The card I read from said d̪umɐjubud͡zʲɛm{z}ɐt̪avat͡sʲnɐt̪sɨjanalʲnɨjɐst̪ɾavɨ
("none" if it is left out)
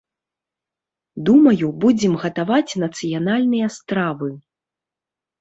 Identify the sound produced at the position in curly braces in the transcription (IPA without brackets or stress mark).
ɣ